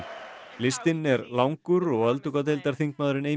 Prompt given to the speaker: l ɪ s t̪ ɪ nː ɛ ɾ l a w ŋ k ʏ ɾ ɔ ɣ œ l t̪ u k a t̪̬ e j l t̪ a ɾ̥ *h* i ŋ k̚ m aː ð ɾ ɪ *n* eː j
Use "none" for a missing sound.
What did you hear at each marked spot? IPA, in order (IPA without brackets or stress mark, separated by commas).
θ, n